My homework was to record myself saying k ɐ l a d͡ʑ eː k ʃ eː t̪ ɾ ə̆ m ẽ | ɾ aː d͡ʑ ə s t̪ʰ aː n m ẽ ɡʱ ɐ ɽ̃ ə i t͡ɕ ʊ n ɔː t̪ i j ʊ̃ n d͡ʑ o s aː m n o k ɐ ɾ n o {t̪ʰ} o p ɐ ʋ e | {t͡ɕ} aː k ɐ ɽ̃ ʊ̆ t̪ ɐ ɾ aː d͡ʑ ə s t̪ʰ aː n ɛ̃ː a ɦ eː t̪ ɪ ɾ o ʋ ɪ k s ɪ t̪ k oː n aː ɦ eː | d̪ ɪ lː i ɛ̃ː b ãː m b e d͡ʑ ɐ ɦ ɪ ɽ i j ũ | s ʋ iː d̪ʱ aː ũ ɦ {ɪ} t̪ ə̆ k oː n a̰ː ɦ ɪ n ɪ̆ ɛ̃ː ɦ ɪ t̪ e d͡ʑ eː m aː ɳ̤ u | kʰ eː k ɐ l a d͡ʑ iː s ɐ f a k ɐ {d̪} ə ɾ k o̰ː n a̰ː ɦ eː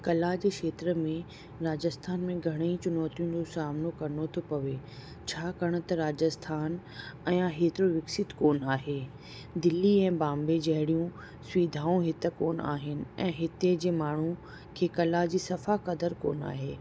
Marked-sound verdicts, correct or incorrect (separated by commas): correct, incorrect, correct, correct